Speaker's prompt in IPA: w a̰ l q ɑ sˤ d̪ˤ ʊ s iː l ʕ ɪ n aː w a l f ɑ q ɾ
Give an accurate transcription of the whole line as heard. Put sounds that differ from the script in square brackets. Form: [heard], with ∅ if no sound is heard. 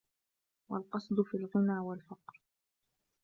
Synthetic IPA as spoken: w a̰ l q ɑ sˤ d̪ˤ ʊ [f] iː l [ɣ] ɪ n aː w a l f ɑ q ɾ